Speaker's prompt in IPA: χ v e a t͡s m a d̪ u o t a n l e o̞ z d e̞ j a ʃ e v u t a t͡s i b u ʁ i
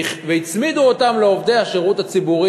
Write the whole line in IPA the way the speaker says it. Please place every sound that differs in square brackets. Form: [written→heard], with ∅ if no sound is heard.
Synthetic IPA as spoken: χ v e [a→i] t͡s m [a→i] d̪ u o t a [n→m] l e o̞ [z→v] d e̞ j a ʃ e [v→ʁ] u t a t͡s i b u ʁ i